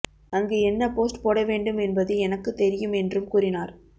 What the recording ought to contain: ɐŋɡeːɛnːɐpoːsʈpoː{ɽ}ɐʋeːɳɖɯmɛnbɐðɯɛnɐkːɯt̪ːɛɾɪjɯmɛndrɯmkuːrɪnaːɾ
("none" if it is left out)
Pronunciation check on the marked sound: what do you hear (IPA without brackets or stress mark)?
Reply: ɽ